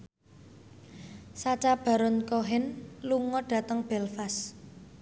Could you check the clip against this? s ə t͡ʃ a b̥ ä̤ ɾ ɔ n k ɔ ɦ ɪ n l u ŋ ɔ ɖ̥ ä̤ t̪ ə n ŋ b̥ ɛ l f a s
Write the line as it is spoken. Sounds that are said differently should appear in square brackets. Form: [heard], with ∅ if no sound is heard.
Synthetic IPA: s [a] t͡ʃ a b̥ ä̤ ɾ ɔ n k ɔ ɦ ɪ n l u ŋ ɔ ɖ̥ ä̤ t̪ ə [∅] ŋ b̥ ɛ l f a s